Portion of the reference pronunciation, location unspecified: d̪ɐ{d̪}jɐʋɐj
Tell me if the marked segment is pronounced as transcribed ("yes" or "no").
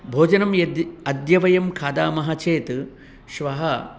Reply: yes